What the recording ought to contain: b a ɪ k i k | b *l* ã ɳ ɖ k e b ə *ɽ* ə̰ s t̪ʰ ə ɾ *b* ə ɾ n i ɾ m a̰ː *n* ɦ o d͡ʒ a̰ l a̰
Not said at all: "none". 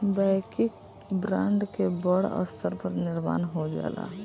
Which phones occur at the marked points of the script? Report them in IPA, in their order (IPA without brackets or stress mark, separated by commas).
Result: ɾ, ɽ, p, n